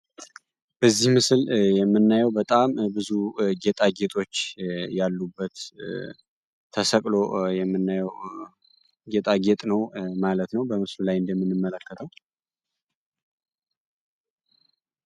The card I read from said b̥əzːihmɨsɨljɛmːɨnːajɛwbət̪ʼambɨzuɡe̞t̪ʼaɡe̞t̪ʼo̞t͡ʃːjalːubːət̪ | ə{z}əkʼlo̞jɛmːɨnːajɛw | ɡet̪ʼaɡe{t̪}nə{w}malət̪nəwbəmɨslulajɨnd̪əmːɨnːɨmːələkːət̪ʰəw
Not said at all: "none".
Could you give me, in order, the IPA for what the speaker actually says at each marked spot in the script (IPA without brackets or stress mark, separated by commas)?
s, t̪ʼ, w